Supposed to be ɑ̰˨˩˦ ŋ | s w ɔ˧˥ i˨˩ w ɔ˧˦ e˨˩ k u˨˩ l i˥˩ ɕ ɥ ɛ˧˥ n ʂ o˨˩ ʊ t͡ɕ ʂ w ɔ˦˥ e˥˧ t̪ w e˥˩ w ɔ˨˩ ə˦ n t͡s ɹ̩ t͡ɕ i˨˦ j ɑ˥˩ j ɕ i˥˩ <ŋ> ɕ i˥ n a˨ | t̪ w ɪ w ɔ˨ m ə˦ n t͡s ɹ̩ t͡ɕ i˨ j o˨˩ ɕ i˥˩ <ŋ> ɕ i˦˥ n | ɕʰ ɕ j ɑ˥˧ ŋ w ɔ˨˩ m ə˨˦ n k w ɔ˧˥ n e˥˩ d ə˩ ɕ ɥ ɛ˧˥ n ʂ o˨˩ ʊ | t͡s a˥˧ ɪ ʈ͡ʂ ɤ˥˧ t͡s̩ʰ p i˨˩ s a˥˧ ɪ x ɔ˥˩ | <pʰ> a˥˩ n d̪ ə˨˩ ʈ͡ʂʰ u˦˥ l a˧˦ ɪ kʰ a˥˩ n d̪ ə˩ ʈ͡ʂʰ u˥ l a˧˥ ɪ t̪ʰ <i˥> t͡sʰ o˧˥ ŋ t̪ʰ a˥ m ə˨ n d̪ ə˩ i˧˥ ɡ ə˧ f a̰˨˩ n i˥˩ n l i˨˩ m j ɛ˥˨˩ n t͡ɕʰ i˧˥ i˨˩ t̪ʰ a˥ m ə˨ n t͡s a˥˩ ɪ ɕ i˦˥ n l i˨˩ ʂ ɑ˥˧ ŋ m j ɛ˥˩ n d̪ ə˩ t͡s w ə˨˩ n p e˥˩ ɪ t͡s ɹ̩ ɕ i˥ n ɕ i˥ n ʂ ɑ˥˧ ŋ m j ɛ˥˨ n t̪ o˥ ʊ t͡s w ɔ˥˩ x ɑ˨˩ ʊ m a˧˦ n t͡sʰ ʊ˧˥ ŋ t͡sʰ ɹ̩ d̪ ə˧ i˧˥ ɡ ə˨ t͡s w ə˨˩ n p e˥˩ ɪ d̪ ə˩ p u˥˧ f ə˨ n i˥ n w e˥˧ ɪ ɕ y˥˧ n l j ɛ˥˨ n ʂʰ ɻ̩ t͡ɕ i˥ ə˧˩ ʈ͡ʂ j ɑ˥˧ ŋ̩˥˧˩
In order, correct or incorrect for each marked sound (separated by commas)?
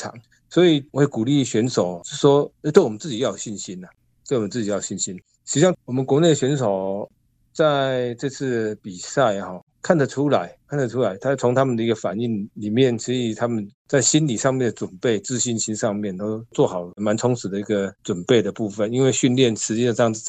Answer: incorrect, incorrect, incorrect, incorrect